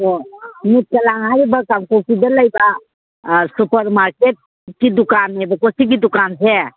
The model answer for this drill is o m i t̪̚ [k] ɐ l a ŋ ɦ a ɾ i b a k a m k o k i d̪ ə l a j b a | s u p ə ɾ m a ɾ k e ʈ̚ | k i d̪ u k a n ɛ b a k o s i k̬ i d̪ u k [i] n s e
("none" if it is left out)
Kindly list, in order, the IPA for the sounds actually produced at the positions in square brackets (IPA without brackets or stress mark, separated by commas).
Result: k, a